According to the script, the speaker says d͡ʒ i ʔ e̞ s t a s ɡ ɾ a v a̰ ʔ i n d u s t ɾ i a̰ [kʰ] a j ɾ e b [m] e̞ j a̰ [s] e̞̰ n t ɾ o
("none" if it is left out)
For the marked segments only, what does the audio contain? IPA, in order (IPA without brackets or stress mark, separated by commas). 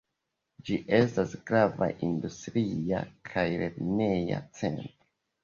kʰ, n, t͡s